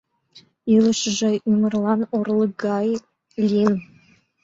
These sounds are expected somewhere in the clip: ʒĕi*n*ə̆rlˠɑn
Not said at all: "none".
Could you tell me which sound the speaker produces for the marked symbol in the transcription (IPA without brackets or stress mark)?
m